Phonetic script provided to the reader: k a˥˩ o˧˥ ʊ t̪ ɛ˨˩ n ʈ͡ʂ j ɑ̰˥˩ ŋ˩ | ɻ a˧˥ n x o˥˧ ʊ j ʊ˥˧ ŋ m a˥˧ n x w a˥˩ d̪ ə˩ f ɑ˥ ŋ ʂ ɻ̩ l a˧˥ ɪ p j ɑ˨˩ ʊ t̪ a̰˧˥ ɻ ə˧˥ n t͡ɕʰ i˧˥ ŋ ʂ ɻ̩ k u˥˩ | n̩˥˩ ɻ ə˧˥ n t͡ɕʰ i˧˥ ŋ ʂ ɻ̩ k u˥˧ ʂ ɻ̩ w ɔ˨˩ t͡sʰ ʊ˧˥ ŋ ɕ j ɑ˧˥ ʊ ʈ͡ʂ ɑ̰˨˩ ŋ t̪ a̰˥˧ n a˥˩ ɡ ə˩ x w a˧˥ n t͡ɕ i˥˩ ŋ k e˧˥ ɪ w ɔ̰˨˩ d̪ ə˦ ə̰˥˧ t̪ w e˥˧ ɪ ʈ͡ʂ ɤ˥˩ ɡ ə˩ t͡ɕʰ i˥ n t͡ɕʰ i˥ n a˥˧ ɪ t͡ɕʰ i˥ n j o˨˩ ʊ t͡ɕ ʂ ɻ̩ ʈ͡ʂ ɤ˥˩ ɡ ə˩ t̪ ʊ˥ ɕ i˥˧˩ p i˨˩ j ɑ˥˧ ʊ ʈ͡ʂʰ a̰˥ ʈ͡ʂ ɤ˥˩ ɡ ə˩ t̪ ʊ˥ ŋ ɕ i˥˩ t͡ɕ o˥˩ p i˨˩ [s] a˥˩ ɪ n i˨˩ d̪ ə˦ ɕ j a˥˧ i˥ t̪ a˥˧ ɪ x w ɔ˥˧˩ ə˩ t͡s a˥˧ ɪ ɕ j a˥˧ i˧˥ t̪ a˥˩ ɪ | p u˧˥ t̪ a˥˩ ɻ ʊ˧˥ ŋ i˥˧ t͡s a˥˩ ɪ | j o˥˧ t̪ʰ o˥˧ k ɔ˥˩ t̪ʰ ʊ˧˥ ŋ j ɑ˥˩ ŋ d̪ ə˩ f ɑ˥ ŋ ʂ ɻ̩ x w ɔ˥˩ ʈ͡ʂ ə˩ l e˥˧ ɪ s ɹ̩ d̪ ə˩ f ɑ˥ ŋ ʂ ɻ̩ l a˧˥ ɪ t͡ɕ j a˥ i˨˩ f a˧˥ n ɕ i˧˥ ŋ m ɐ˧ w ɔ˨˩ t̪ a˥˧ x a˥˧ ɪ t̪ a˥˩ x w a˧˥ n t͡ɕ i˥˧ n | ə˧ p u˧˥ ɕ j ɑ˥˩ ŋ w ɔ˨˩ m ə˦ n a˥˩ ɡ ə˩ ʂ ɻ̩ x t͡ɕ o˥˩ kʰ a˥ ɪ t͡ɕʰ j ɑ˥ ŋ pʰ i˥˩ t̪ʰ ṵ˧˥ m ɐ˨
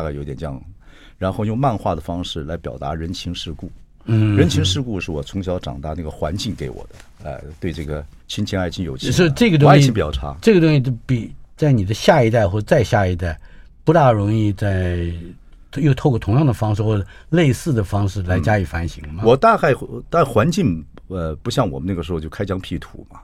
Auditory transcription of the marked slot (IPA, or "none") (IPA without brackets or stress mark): t͡s